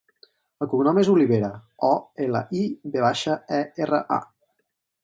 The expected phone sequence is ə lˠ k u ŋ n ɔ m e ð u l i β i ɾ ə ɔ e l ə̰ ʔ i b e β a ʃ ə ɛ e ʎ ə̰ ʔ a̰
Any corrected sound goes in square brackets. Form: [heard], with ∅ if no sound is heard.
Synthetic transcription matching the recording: ə lˠ k u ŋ n ɔ m e [z] u l i β [e] ɾ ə ɔ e l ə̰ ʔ i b e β a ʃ ə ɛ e [r] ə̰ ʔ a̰